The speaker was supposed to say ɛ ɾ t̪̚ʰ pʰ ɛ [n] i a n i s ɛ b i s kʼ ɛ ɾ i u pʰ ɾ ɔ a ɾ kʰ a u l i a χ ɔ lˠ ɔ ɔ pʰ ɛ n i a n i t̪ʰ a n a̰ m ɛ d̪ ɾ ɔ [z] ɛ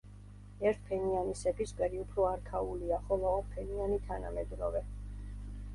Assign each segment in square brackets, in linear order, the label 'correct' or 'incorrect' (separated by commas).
correct, incorrect